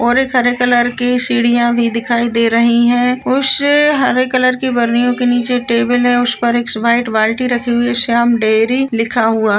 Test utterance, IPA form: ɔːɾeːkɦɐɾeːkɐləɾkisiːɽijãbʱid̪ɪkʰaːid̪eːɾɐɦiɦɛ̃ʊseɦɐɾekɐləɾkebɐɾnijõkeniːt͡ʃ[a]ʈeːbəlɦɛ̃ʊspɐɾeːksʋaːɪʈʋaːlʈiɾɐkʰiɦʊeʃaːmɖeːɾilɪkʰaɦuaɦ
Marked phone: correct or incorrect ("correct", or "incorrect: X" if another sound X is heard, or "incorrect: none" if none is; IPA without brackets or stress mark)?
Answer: incorrect: e